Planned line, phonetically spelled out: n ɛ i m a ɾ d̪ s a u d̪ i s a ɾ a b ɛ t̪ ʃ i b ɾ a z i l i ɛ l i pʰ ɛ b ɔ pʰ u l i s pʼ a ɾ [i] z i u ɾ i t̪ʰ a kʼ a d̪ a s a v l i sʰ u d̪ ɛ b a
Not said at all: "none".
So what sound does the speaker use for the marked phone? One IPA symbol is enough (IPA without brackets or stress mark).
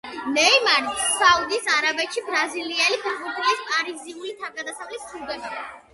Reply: i